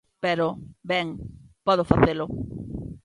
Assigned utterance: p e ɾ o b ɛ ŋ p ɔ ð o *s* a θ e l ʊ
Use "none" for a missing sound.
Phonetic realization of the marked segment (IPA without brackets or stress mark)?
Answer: f